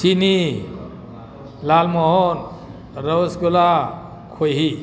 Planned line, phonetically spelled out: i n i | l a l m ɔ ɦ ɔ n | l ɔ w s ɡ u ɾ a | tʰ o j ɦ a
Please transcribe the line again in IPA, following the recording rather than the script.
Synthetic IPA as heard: i n i | l a l m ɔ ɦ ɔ n | ɾ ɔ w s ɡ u l a | kʰ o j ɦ i